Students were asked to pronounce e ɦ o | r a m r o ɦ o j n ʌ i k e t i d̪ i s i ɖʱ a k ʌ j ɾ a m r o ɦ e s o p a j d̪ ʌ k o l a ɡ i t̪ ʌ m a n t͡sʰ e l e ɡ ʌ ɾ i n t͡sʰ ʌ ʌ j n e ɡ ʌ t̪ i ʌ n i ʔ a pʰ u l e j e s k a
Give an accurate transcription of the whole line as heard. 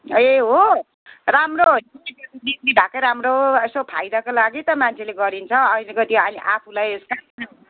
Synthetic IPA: e ɦ o | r a m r o ɦ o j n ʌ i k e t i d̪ i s i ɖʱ a k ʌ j ɾ a m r o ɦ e s o pʰ a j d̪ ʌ k o l a ɡ i t̪ ʌ m a n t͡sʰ e l e ɡ ʌ ɾ i n t͡sʰ ʌ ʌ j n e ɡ ʌ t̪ i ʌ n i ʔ a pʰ u l a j e s k a